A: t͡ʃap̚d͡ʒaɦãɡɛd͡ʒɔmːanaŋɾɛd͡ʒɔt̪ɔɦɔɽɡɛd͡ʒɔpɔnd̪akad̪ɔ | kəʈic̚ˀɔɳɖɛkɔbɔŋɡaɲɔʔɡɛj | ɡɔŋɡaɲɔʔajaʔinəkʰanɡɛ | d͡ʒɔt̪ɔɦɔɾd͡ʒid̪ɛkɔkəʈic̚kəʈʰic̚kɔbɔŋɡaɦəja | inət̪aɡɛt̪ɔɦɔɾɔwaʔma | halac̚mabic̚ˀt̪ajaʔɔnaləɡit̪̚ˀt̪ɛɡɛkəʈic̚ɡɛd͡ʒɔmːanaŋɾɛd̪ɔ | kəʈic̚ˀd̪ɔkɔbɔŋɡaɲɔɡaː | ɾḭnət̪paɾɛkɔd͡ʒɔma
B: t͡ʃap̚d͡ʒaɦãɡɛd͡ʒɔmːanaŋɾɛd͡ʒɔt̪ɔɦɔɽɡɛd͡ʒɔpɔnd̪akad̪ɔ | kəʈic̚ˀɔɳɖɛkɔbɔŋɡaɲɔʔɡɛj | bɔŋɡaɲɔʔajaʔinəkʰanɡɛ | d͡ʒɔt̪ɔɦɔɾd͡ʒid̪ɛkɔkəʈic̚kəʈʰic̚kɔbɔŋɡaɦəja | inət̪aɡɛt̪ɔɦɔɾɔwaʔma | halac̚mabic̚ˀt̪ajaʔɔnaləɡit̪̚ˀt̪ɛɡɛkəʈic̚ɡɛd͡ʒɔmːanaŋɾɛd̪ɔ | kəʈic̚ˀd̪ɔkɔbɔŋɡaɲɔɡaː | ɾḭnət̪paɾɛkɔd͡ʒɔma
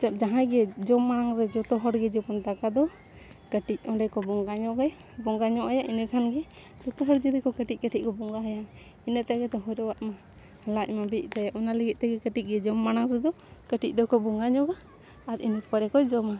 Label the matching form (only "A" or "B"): B